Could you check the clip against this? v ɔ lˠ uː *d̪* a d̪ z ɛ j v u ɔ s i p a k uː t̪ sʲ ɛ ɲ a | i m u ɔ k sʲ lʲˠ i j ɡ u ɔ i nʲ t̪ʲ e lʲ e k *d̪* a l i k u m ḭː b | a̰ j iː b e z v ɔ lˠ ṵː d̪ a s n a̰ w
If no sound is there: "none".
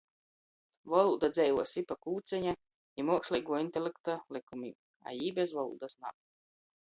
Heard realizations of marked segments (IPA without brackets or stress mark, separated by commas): d̪, t̪